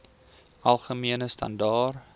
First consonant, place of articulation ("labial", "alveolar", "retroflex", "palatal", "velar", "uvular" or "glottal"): alveolar